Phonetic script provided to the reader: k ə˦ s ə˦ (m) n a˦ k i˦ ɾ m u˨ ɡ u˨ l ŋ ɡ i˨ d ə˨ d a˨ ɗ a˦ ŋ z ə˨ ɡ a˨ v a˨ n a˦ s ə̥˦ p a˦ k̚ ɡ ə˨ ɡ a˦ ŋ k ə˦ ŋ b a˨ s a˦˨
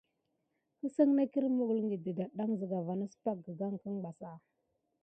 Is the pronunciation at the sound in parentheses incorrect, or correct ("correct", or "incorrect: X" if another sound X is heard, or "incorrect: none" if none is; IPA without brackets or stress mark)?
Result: incorrect: ŋ